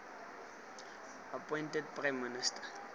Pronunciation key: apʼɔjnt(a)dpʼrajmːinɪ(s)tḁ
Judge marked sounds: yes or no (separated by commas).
no, yes